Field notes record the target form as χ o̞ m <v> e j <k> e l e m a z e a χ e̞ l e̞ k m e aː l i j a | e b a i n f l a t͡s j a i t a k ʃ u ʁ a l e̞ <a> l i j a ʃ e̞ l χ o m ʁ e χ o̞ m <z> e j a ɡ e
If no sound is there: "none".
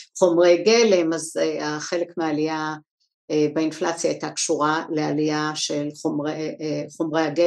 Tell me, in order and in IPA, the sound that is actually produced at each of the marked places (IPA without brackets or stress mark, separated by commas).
ʁ, ɡ, a, ʁ